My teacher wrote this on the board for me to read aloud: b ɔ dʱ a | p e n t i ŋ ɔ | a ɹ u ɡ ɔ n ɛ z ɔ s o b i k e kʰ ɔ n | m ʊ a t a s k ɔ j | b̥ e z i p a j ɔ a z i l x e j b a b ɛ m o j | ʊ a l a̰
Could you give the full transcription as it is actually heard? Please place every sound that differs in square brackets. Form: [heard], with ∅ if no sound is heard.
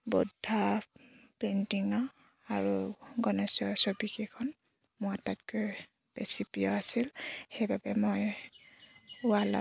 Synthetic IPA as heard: b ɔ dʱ a | p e n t i ŋ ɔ | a ɹ u ɡ ɔ n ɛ [s] ɔ s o b i k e kʰ ɔ n | m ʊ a t a [t] k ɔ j | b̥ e [s] i p [i] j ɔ a [s] i l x e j b a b ɛ m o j | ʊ a l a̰